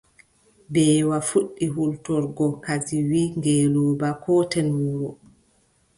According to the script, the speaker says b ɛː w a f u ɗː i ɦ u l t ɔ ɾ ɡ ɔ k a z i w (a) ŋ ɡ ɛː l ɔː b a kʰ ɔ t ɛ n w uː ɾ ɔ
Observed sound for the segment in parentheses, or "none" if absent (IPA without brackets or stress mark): i